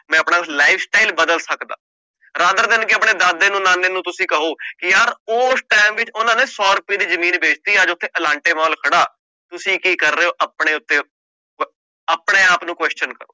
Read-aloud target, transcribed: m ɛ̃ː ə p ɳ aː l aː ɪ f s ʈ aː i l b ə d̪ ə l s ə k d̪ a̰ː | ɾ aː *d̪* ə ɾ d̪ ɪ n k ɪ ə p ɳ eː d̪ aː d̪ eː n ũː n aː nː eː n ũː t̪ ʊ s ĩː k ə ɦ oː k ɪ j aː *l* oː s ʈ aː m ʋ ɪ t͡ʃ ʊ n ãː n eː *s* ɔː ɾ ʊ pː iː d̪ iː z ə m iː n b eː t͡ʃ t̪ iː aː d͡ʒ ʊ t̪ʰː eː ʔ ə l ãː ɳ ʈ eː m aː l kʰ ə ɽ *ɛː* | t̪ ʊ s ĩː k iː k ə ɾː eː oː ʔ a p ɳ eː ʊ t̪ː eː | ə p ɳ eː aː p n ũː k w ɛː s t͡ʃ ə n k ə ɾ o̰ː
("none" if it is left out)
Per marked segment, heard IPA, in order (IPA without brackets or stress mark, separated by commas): d̪, ɾ, s, aː